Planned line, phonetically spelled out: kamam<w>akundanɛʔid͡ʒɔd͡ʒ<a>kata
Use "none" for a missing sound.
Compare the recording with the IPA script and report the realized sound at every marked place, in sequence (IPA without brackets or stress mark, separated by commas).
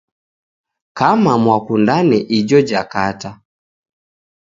w, a